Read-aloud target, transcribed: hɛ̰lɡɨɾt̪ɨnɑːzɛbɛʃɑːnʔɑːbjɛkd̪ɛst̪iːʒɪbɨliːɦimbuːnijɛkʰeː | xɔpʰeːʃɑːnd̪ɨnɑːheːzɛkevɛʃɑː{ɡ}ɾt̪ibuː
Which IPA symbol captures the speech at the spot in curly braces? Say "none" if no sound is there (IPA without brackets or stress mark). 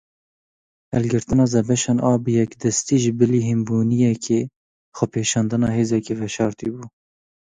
none